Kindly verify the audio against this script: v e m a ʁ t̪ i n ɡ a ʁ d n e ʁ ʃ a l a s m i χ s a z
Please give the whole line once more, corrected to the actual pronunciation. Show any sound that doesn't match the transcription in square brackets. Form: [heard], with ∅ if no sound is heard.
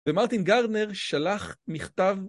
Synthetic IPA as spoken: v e m a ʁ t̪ i n ɡ a ʁ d n e ʁ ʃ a l a [χ] m i χ [t] a [v]